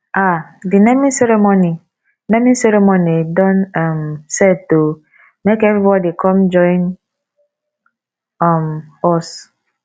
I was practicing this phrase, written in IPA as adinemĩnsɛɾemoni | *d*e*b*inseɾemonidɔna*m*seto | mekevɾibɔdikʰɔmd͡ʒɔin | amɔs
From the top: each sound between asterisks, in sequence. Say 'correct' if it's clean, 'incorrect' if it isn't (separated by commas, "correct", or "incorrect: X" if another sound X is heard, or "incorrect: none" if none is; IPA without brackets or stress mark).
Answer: incorrect: n, incorrect: m, correct